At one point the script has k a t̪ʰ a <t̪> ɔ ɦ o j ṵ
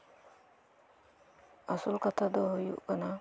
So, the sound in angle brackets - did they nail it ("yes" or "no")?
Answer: no